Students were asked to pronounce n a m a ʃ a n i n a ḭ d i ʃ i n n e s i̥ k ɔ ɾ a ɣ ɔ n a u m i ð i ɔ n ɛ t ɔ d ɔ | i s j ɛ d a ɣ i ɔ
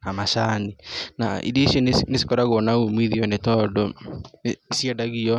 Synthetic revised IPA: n a m a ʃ a n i n a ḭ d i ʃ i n n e s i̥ k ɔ ɾ a ɣ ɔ n a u m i ð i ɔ n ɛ t ɔ d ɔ | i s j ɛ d a ɣ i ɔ